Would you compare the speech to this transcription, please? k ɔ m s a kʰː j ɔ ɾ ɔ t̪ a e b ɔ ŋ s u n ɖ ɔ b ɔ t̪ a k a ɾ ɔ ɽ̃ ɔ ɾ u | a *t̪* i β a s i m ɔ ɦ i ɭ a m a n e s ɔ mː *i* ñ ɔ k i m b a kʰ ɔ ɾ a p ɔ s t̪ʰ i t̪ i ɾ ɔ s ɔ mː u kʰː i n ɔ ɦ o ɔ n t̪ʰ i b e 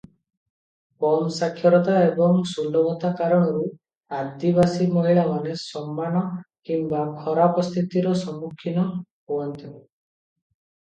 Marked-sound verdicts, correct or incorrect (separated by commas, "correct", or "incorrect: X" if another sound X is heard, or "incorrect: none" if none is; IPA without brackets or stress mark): incorrect: d̪, incorrect: a